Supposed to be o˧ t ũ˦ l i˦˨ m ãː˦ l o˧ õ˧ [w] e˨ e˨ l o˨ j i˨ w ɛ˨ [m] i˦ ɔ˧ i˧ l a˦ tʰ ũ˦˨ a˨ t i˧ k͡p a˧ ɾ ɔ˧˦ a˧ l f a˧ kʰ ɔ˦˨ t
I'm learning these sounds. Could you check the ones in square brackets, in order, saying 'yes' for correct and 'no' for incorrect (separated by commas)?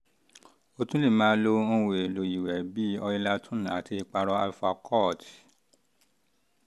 yes, no